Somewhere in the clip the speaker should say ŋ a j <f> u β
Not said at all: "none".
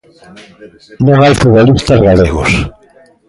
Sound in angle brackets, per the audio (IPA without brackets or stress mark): f